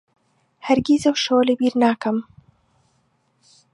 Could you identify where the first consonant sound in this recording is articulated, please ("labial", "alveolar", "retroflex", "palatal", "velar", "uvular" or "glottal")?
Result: glottal